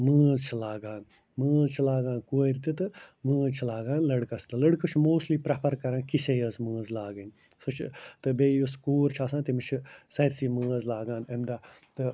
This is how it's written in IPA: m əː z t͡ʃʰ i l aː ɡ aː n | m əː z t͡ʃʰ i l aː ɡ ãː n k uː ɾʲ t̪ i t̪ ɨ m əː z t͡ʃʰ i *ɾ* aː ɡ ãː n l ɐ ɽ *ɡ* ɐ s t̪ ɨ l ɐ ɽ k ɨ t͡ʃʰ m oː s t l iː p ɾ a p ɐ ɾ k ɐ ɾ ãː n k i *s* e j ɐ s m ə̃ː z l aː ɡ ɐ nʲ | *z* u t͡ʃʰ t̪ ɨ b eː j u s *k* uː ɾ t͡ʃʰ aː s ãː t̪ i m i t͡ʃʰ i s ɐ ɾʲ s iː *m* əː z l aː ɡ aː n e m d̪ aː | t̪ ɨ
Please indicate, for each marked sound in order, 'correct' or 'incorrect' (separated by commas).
incorrect, incorrect, correct, incorrect, correct, correct